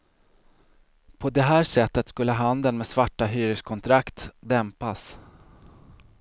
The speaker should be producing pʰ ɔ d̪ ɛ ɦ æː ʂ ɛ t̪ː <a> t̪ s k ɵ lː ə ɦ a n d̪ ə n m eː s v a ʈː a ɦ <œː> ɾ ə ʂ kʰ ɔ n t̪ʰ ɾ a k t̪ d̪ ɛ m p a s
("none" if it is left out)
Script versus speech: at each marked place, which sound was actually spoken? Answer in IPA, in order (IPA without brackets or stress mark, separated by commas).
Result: ə, yː